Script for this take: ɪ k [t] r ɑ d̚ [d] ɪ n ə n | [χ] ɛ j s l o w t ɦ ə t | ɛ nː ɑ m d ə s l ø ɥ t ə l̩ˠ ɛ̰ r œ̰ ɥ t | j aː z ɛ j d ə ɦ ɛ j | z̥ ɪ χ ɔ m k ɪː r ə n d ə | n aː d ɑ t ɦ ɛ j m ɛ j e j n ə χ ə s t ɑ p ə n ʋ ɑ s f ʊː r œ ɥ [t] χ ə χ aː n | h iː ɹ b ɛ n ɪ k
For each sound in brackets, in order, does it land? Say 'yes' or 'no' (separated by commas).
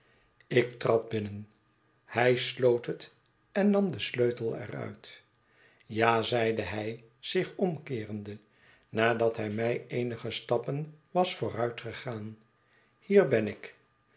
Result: yes, no, no, yes